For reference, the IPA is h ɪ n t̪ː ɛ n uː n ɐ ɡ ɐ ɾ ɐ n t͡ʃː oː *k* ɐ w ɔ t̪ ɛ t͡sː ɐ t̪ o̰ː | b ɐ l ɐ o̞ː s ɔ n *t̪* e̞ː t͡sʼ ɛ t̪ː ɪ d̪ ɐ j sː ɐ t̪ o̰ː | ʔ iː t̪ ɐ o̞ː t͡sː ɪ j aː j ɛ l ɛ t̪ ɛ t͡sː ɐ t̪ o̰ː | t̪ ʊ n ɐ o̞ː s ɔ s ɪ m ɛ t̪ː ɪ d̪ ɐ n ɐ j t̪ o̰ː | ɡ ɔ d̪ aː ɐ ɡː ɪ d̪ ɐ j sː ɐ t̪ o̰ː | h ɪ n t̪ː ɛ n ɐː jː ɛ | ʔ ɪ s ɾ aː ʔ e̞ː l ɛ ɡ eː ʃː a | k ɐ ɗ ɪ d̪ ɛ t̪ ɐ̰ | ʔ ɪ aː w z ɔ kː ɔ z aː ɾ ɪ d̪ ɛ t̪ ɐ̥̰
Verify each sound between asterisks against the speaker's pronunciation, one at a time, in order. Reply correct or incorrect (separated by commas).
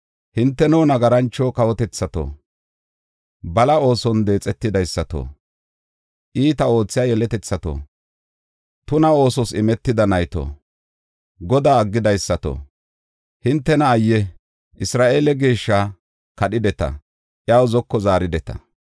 correct, incorrect